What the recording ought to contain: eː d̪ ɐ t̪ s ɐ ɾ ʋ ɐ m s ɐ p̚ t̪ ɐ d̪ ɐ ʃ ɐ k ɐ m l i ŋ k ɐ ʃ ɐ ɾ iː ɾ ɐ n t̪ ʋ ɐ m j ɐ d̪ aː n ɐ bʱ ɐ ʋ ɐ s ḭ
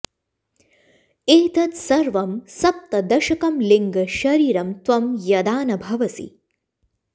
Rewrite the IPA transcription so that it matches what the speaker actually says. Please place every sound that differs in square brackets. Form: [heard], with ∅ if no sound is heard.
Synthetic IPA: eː [t̪] ɐ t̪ s ɐ ɾ ʋ ɐ m s ɐ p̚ t̪ ɐ d̪ ɐ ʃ ɐ k ɐ m l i ŋ [ɡ] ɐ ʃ ɐ ɾ iː ɾ ɐ [m] t̪ ʋ ɐ m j ɐ d̪ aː n ɐ bʱ ɐ ʋ ɐ s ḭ